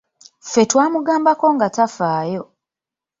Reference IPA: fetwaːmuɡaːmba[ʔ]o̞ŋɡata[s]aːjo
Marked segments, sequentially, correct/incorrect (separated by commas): incorrect, incorrect